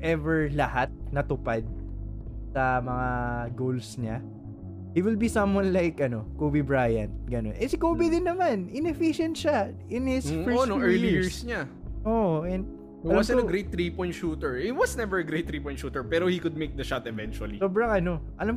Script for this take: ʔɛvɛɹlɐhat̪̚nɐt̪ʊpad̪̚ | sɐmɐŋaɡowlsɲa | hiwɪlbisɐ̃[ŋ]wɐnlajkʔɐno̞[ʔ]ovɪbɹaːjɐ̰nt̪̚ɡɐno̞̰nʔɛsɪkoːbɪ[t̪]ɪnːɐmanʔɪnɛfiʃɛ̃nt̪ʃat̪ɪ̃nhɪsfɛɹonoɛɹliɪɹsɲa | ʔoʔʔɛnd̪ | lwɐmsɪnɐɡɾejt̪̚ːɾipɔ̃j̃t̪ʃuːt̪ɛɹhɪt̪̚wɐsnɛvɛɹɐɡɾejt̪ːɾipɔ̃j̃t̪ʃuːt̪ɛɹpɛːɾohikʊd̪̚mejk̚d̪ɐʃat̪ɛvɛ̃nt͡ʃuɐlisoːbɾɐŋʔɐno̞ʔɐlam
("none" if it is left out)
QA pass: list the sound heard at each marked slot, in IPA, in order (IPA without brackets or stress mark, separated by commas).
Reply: m, k, d̪